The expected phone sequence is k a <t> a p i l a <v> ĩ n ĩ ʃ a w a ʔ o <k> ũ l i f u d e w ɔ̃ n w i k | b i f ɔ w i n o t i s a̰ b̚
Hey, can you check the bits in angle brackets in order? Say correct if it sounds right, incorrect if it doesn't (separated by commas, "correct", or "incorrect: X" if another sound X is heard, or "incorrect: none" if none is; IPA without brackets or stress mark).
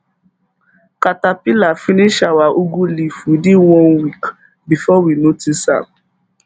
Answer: correct, incorrect: f, incorrect: ɡ